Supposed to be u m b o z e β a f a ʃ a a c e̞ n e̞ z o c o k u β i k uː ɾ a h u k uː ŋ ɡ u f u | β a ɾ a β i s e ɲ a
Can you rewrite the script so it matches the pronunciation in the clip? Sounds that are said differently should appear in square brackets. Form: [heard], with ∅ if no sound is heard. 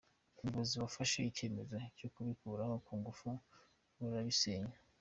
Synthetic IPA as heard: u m b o z [i] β a f a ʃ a [i] c e̞ [m] e̞ z o c o k u β i k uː ɾ a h [o] k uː ŋ ɡ u f u | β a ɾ a β i s e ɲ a